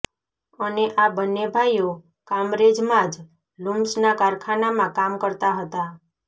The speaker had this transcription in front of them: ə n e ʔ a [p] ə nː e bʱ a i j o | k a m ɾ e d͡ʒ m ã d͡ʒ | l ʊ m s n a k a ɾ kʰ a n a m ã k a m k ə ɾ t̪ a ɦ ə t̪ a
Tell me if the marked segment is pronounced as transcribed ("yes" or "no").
no